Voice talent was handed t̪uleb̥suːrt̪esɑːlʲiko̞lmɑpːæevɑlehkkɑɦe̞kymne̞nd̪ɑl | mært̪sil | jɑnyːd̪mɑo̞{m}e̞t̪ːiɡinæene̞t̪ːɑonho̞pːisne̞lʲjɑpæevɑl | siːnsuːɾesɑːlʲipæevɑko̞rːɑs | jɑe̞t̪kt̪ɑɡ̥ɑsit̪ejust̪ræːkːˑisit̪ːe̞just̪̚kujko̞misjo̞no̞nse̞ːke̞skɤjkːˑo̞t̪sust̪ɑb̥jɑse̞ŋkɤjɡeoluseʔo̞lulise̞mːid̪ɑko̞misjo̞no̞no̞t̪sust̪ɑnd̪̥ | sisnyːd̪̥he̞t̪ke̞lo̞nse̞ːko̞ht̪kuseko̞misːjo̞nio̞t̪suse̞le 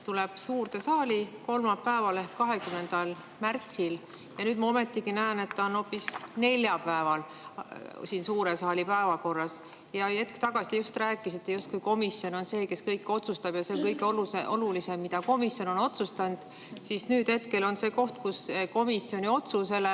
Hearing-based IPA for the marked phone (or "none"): m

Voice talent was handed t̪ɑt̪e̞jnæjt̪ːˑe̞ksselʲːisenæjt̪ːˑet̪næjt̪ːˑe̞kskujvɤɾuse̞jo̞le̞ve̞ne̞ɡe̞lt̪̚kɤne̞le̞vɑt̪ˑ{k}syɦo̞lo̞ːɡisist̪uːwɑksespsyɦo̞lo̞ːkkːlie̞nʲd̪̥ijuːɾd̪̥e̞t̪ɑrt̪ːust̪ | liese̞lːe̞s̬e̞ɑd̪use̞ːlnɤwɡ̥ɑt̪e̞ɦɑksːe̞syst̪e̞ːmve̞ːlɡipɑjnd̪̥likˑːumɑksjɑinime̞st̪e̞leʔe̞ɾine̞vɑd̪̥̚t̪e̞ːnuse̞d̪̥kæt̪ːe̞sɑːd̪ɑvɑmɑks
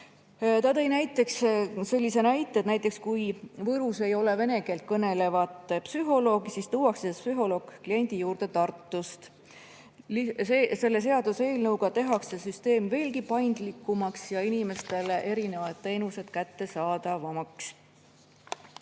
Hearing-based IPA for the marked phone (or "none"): p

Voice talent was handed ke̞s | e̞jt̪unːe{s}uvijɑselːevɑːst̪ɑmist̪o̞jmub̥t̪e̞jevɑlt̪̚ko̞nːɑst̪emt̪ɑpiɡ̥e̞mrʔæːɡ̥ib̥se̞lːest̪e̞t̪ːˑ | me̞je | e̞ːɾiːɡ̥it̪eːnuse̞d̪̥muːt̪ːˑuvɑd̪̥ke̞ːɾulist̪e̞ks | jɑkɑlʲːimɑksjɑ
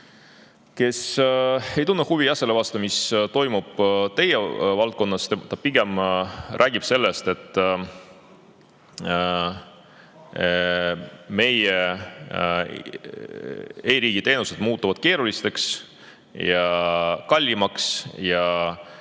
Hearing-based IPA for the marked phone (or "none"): h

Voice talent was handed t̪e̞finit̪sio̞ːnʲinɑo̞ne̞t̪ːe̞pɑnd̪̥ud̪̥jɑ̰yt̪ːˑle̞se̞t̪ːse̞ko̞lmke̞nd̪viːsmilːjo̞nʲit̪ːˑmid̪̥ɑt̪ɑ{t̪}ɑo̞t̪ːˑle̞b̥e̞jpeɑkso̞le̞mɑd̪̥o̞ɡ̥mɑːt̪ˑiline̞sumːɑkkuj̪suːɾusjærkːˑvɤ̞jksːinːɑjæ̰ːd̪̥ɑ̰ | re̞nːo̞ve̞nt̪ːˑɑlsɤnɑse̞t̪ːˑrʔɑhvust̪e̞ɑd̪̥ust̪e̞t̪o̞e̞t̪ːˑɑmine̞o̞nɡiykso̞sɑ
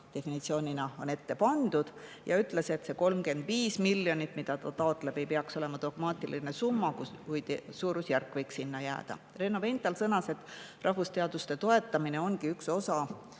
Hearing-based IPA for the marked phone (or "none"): t̪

